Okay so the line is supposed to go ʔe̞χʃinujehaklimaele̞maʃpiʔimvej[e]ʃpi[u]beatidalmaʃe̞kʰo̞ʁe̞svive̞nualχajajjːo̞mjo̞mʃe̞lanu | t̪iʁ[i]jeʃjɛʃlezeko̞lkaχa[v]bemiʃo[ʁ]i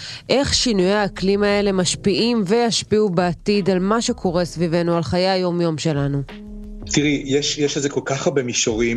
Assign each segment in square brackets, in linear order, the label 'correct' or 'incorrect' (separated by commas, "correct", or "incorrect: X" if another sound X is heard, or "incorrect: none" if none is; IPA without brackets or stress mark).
incorrect: a, correct, correct, incorrect: ʁ, correct